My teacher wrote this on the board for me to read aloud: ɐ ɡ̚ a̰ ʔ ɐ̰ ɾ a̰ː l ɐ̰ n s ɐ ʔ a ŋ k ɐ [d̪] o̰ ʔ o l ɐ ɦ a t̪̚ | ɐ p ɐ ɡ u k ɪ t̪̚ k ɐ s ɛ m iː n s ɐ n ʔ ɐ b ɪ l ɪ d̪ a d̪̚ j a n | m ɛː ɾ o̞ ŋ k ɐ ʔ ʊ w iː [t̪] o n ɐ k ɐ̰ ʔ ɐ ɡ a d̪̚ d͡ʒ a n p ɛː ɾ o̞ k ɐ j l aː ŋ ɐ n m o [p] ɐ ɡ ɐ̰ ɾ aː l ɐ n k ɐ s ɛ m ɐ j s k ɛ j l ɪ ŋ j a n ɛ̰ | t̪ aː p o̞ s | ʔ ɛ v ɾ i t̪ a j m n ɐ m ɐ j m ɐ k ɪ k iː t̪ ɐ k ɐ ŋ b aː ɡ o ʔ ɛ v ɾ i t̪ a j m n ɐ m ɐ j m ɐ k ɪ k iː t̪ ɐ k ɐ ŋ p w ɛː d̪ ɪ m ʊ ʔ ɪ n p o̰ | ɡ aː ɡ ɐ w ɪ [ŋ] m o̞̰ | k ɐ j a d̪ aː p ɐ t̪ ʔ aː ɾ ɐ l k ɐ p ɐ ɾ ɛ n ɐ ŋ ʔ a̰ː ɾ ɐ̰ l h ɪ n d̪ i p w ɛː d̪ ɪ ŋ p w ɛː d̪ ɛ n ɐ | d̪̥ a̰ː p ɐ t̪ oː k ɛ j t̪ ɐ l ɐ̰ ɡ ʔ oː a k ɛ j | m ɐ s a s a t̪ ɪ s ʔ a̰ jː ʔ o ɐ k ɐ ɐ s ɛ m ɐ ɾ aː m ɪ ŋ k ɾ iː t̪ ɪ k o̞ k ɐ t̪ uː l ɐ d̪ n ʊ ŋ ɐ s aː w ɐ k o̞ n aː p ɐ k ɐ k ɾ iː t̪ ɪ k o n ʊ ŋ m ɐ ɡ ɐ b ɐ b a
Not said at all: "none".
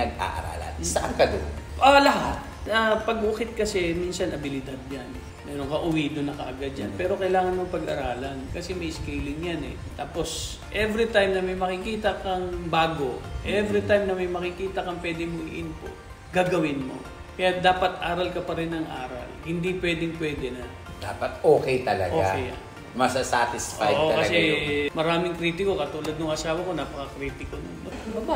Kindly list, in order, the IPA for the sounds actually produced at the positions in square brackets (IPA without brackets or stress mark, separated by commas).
d̪, d̪, p, n